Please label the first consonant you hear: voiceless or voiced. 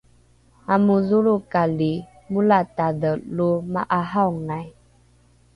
voiced